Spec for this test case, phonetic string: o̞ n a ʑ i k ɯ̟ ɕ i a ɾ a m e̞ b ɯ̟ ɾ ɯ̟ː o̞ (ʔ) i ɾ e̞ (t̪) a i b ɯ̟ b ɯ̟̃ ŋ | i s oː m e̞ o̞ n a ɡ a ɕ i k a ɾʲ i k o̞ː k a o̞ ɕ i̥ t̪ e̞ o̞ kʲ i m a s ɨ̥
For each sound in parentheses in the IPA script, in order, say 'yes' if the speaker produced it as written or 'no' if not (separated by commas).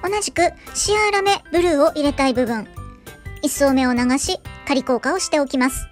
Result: yes, yes